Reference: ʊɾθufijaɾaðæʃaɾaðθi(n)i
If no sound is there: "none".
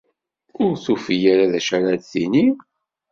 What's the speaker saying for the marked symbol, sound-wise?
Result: n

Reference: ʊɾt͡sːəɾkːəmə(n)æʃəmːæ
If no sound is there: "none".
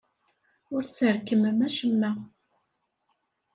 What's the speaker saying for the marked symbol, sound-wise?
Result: m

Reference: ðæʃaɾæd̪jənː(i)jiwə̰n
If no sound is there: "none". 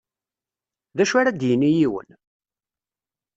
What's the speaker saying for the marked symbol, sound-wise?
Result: i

